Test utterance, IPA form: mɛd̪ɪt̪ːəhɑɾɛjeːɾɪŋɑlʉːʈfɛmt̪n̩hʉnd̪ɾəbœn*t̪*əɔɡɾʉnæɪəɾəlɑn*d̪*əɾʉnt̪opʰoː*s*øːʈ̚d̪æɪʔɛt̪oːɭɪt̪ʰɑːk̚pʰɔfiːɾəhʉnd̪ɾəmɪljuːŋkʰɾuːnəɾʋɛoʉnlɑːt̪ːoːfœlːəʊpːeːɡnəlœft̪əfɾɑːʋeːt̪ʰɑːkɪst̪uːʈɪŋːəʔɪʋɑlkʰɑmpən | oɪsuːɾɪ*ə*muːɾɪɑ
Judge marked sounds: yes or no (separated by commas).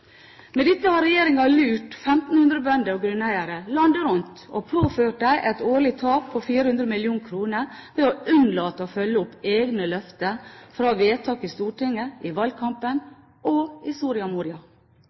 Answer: no, yes, no, no